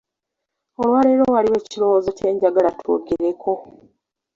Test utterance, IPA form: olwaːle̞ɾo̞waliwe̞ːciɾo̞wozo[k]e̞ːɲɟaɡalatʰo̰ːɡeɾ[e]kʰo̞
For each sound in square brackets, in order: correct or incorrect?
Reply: incorrect: c, correct

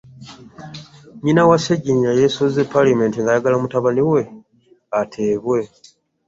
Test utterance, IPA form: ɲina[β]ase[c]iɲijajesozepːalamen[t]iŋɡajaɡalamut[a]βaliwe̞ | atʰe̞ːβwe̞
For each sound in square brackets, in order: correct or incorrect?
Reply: incorrect: w, incorrect: ɟ, correct, correct

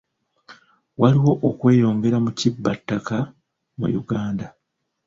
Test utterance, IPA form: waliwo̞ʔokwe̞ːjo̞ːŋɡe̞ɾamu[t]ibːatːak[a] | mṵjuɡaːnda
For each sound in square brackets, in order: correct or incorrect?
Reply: incorrect: c, correct

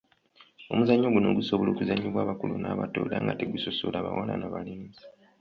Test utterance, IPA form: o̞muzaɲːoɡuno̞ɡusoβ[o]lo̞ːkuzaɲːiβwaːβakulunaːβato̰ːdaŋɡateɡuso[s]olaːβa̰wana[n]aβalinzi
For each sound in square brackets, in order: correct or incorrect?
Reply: correct, correct, correct

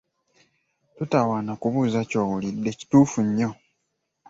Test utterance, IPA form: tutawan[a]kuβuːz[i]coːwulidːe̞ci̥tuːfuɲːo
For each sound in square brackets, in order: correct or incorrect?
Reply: correct, incorrect: a

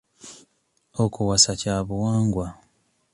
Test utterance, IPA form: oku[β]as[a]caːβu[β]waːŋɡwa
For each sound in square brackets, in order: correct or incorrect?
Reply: incorrect: w, correct, incorrect: none

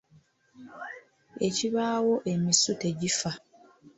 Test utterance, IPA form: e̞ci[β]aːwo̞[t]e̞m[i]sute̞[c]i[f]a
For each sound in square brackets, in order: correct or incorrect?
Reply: correct, incorrect: ʔ, correct, incorrect: ɟ, correct

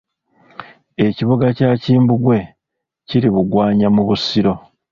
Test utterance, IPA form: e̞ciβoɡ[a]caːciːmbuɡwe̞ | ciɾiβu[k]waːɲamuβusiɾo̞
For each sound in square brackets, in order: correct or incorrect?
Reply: correct, incorrect: ɡ

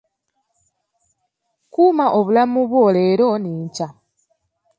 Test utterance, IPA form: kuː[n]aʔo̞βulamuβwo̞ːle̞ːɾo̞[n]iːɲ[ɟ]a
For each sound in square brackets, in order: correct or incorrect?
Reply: incorrect: m, correct, incorrect: c

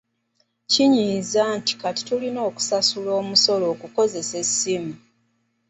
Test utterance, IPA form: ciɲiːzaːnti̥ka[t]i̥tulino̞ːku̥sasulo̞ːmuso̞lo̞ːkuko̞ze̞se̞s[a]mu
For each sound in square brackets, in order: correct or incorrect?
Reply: correct, incorrect: i

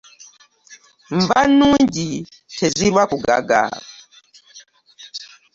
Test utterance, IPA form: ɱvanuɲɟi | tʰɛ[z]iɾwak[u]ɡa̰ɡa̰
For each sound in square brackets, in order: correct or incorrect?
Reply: correct, correct

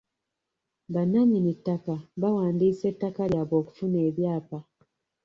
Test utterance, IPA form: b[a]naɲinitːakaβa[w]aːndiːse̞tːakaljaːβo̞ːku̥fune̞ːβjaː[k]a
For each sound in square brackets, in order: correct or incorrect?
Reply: correct, correct, incorrect: p

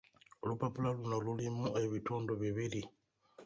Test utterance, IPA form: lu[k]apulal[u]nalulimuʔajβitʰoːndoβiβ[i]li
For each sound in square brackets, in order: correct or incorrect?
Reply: incorrect: p, correct, correct

